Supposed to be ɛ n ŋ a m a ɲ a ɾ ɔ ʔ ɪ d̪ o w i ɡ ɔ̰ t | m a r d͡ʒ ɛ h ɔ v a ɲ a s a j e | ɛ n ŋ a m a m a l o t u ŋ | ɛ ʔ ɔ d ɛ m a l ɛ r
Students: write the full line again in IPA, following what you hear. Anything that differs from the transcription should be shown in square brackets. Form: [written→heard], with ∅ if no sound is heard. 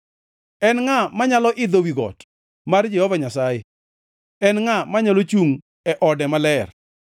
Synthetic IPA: ɛ n ŋ a m a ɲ a [ɾ→l] ɔ ʔ ɪ d̪ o w i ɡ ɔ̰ t | m a r d͡ʒ ɛ h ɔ v a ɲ a s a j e | ɛ n ŋ a m a [m→ɲ] a l o [t→t͡ʃ] u ŋ | ɛ ʔ ɔ d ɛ m a l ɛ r